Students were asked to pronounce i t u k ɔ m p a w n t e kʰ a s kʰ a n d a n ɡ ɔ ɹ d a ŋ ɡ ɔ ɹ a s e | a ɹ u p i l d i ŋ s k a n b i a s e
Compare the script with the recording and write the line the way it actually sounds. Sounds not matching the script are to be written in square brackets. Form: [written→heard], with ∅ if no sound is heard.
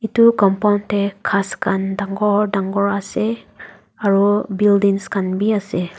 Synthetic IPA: i t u k ɔ m p a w n t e kʰ a s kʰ a n d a [n→ŋ] ɡ ɔ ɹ d a ŋ ɡ ɔ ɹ a s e | a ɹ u [p→b] i l d i ŋ s k a n b i a s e